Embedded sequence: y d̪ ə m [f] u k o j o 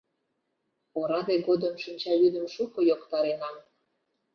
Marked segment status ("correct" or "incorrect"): incorrect